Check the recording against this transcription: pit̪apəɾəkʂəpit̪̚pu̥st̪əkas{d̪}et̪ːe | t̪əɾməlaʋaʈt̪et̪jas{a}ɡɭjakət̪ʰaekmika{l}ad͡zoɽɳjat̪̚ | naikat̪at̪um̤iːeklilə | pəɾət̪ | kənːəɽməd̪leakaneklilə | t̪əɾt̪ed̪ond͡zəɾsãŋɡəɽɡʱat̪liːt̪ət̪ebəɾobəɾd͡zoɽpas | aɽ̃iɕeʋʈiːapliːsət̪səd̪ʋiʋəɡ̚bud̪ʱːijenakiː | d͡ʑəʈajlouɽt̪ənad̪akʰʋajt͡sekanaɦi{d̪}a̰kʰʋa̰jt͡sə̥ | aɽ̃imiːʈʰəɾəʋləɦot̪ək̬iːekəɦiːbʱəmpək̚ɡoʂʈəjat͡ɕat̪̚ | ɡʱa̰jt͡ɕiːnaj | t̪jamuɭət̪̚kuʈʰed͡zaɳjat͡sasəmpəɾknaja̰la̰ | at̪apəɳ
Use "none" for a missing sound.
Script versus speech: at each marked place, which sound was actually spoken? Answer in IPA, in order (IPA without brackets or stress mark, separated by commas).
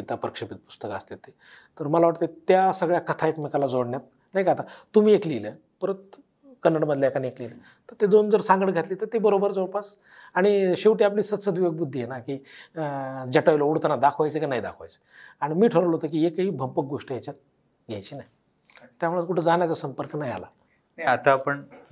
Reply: t̪, ə, l, d̪